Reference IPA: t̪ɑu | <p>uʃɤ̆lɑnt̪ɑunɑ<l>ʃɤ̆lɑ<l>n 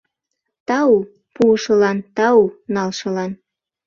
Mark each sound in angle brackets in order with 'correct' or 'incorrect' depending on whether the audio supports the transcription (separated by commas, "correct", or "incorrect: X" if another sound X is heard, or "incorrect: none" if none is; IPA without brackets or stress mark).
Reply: correct, correct, incorrect: none